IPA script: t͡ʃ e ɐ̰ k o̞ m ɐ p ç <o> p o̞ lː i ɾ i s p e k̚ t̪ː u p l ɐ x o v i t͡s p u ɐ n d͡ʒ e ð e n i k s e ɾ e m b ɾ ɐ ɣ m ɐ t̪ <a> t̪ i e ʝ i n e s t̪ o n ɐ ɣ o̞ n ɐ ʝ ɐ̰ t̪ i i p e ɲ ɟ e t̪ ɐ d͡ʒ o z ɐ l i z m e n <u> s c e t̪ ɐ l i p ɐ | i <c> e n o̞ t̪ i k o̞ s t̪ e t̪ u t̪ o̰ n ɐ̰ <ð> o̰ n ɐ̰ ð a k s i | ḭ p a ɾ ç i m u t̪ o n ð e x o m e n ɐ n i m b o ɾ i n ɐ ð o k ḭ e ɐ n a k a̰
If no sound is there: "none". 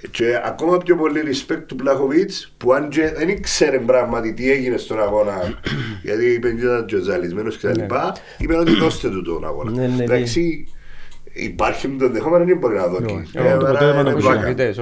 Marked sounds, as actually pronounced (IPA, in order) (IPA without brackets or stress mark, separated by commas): o, i, o, p, ɣ